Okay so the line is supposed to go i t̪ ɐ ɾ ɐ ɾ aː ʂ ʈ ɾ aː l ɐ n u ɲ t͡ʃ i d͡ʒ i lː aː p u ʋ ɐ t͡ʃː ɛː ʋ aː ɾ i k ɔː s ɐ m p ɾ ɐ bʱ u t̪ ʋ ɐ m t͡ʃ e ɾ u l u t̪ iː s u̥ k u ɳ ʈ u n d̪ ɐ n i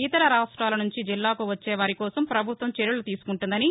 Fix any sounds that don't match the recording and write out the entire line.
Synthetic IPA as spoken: i t̪ ɐ ɾ ɐ ɾ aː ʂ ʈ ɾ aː l ɐ n u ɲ t͡ʃ i d͡ʒ i lː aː k u ʋ ɐ t͡ʃː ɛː ʋ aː ɾ i k ɔː s ɐ m p ɾ ɐ bʱ u t̪ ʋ ɐ m t͡ʃ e ɾ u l u t̪ iː s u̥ k u ɳ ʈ u n d̪ ɐ n i